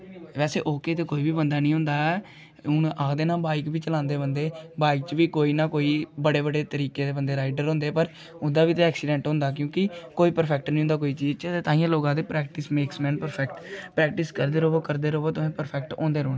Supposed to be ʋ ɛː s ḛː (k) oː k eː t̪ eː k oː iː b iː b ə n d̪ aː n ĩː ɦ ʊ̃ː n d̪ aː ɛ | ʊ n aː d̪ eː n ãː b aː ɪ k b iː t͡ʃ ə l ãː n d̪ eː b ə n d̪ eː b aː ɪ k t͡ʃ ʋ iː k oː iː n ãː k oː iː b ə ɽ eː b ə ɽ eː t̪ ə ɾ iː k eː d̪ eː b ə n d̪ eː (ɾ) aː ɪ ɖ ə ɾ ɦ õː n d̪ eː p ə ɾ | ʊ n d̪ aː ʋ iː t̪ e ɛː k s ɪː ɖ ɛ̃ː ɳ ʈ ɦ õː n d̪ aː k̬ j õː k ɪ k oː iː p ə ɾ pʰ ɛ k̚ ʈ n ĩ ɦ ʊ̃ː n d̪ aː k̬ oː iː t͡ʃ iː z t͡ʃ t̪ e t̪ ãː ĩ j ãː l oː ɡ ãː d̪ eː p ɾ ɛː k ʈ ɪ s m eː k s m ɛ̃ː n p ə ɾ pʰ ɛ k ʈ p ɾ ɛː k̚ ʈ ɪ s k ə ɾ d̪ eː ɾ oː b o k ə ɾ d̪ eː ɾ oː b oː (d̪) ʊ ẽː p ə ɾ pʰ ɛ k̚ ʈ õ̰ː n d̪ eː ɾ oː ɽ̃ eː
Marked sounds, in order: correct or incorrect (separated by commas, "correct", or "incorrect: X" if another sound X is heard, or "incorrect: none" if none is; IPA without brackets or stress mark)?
incorrect: ʔ, correct, incorrect: t̪